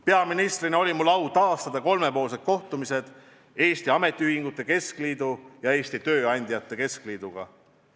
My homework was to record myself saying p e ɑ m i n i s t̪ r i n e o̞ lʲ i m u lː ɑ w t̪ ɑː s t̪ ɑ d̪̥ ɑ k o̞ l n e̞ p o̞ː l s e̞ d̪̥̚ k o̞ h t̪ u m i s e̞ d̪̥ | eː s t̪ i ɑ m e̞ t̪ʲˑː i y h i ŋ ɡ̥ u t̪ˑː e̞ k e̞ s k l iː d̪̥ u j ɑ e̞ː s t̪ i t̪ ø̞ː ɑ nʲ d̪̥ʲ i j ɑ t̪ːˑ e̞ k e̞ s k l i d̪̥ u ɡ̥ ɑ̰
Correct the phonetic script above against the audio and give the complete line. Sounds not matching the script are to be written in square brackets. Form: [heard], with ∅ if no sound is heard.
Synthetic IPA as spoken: p e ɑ m i n i s t̪ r i n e o̞ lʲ i m u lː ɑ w t̪ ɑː s t̪ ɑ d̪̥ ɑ k o̞ l [m] e̞ p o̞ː l s e̞ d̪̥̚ k o̞ h t̪ u m i s e̞ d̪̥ | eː s t̪ i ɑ m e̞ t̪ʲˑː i y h i ŋ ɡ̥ u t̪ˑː e̞ k e̞ s k l iː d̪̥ u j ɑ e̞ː s t̪ i t̪ ø̞ː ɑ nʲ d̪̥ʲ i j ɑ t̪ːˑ e̞ k e̞ s k l [iː] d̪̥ u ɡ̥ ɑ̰

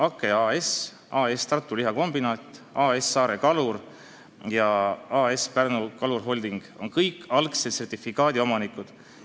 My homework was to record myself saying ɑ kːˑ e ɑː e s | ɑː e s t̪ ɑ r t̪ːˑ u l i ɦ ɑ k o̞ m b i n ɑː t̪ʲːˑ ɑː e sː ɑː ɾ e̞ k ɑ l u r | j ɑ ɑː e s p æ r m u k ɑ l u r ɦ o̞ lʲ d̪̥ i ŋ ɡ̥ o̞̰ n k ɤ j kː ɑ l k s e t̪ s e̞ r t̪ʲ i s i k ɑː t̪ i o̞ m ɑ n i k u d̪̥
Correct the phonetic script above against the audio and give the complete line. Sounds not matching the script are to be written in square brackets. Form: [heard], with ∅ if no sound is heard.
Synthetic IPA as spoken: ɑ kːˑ e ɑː e s | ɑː e s t̪ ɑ r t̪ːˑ u l i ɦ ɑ k o̞ m b i n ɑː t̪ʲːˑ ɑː e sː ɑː ɾ e̞ k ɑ l u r | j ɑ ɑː e s p æ r [n] u k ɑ l u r ɦ o̞ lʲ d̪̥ i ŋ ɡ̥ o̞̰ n k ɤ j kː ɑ l k s e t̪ s e̞ r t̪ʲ i [f] i k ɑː [d̪] i o̞ m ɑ n i k u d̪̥

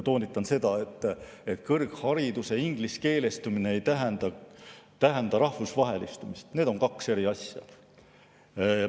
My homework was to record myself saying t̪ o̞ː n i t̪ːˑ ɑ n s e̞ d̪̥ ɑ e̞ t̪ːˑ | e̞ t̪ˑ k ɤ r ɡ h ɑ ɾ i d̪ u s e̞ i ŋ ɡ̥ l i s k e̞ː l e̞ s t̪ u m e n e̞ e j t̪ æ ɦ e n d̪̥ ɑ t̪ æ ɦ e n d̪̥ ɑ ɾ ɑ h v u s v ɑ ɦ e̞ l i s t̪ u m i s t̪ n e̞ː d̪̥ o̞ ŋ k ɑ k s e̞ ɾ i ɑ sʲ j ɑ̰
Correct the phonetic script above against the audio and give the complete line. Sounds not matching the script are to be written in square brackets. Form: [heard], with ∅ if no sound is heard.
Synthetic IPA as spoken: t̪ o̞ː n i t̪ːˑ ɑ n s e̞ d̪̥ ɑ e̞ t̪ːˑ | e̞ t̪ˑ k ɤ r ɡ h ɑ ɾ i d̪ u s e̞ i ŋ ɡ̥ l i s k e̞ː l e̞ s t̪ u m [i] n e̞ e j t̪ æ ɦ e n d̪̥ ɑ t̪ æ ɦ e n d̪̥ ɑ ɾ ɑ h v u s v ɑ ɦ e̞ l i s t̪ u m i s t̪ n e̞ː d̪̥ o̞ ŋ k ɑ k s e̞ ɾ i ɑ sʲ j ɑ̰

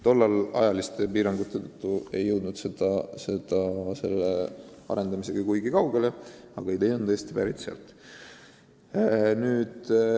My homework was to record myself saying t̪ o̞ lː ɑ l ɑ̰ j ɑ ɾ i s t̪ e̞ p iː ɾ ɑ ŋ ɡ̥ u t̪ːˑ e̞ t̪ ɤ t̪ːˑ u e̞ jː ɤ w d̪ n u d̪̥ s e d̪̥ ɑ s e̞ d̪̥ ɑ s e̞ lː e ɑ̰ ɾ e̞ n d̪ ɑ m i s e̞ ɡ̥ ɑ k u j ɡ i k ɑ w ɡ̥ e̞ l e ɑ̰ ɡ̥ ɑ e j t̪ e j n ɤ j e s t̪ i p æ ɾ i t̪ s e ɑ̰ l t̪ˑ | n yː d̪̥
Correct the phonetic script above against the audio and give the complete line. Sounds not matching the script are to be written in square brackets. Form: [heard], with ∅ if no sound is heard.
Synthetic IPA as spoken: t̪ o̞ lː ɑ l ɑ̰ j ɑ [l] i s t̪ e̞ p iː ɾ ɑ ŋ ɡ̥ u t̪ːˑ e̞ t̪ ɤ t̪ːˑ u e̞ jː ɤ w d̪ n u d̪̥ s e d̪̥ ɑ s e̞ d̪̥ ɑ s e̞ lː e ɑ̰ ɾ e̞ n d̪ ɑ m i s e̞ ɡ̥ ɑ k u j ɡ i k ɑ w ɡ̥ e̞ l e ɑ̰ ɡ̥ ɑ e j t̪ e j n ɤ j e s t̪ i p æ ɾ i t̪ s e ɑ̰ l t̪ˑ | n yː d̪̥

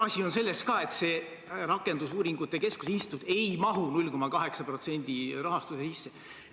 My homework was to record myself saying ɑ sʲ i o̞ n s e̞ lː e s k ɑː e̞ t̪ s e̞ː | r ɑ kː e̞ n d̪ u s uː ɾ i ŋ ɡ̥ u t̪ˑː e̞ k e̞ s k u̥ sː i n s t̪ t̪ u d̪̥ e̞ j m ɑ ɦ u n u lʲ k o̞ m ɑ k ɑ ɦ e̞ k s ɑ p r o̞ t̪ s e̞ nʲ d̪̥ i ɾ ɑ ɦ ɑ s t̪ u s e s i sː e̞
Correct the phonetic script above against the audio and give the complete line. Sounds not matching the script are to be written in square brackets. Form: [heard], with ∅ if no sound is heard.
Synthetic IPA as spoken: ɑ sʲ i o̞ n s e̞ lː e s k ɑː e̞ t̪ s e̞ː | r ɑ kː e̞ n d̪ u s uː ɾ i ŋ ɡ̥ u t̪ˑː e̞ k e̞ s k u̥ [s] i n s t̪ t̪ u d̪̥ e̞ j m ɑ ɦ u n u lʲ k o̞ m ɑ k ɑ ɦ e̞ k s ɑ p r o̞ t̪ s e̞ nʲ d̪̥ i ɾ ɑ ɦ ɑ s t̪ u s e s i sː e̞

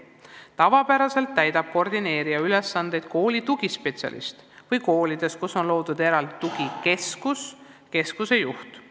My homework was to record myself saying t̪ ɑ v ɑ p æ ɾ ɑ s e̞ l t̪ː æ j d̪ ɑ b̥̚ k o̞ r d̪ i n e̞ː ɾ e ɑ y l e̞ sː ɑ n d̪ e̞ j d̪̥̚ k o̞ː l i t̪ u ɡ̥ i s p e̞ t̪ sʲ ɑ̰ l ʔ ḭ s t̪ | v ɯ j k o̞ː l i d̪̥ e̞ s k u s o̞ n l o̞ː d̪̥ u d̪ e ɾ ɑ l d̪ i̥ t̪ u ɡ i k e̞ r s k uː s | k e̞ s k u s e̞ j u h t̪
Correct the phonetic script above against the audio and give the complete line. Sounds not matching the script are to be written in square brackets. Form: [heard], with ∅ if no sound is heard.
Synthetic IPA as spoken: t̪ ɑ v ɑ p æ ɾ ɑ s e̞ l t̪ː æ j d̪ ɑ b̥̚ k o̞ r d̪ i n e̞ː ɾ [i] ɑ y l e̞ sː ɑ n d̪ e̞ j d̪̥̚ k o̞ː l i t̪ u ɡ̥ i s p e̞ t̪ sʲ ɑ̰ l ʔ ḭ s t̪ | v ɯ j k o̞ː l i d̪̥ e̞ s k u s o̞ n l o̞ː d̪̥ u d̪ e ɾ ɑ l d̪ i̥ t̪ u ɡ i k e̞ [∅] s k [u] s | k e̞ s k u s e̞ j u h t̪

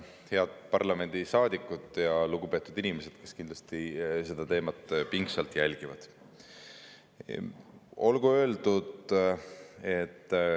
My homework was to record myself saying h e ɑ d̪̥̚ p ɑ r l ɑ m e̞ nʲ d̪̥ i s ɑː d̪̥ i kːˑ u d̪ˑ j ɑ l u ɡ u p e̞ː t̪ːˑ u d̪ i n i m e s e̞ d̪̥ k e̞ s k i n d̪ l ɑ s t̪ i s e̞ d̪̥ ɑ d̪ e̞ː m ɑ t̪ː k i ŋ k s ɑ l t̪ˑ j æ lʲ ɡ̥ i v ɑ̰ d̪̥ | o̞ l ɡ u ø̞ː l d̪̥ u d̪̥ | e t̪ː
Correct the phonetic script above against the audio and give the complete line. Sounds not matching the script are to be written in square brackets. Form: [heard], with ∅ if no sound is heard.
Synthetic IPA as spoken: h e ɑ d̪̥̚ p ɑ r l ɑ m e̞ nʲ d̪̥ i s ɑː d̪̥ i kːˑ u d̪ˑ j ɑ l u ɡ u p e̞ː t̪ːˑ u d̪ i n i m e s e̞ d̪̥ k e̞ s k i n d̪ l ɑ s t̪ i s e̞ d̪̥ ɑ [t̪] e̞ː m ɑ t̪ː [p] i ŋ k s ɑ l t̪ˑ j æ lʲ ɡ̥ i v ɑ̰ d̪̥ | o̞ l ɡ u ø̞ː l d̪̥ u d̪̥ | e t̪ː

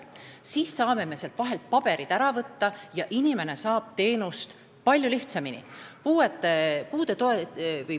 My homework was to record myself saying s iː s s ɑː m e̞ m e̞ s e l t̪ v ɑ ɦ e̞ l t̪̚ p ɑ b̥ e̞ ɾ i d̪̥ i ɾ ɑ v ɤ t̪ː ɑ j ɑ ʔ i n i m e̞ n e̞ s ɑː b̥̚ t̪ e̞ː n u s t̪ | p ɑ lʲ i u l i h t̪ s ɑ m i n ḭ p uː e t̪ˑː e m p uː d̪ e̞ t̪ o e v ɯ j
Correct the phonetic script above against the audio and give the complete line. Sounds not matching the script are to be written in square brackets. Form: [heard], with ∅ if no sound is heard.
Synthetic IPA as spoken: s iː s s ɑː m e̞ m e̞ s e l t̪ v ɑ ɦ e̞ l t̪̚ p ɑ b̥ e̞ ɾ i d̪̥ [æ] ɾ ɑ v ɤ t̪ː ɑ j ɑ ʔ i n i m e̞ n e̞ s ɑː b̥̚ t̪ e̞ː n u s t̪ | p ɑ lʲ [j] u l i h t̪ s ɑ m i n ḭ p uː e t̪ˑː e [∅] p uː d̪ e̞ t̪ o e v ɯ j

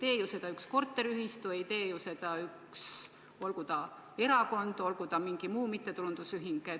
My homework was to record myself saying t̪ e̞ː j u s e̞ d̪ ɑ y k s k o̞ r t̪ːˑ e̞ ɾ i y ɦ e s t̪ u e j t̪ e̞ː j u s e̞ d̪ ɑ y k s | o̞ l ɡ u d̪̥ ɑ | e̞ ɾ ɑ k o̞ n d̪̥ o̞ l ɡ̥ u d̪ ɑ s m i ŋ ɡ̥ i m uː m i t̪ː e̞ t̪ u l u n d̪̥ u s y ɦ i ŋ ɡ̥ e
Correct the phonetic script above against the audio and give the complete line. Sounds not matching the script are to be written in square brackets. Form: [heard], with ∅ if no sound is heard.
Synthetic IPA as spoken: t̪ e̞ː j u s e̞ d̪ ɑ y k s k o̞ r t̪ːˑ e̞ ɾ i y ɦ [i] s t̪ u e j t̪ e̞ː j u s e̞ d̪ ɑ y k s | o̞ l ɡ u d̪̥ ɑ | e̞ ɾ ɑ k o̞ n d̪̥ o̞ l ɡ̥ u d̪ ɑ [∅] m i ŋ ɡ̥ i m uː m i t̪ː e̞ t̪ u l u n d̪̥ u s y ɦ i ŋ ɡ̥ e

